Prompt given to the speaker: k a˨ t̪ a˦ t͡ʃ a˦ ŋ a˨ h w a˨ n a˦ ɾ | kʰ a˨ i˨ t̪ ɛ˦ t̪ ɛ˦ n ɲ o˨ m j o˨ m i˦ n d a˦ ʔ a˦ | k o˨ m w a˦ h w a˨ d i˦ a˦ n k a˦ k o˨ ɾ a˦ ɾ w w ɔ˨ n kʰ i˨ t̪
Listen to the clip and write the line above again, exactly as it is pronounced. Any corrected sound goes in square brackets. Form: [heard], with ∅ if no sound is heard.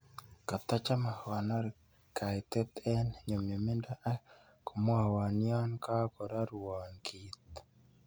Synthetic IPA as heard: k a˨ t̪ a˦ t͡ʃ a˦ [m] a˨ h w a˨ n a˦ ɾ | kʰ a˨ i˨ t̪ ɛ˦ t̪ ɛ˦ n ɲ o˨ m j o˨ m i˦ n d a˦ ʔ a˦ | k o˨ m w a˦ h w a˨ [n] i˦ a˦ n k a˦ k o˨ ɾ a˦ ɾ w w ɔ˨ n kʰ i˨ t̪